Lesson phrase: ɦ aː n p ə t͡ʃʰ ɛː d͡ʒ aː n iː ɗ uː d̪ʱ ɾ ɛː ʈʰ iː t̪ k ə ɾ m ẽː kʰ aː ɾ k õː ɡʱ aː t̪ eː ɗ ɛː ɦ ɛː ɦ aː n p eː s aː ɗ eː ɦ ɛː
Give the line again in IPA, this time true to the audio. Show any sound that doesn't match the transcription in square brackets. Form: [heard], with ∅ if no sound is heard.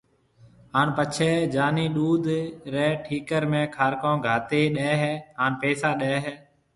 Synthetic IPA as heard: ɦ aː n p ə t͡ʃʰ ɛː d͡ʒ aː n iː ɗ uː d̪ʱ ɾ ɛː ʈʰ iː [∅] k ə ɾ m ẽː kʰ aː ɾ k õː ɡʱ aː t̪ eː ɗ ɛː ɦ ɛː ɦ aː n p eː s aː ɗ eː ɦ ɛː